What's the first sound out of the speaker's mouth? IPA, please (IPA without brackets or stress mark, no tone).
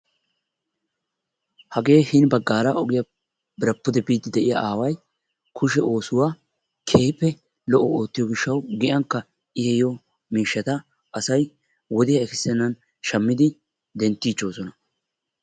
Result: h